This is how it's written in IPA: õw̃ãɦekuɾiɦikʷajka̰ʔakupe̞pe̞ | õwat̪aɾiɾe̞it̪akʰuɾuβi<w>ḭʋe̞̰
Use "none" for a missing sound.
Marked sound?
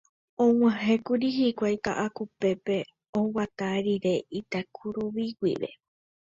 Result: w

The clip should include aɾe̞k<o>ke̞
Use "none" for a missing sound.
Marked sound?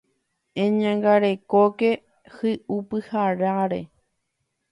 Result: o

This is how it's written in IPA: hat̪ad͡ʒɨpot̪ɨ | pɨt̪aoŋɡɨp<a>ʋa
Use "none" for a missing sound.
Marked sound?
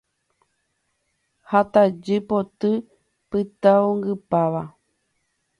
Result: a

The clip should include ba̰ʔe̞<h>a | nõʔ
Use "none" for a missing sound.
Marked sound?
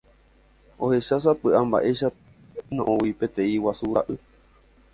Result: ʃ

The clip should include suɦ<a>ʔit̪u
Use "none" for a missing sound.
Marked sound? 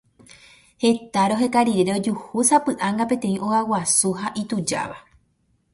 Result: a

